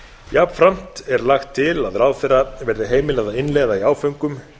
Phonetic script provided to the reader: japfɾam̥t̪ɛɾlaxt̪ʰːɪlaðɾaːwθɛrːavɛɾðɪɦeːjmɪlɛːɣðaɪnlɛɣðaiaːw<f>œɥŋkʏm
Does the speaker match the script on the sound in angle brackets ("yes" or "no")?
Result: yes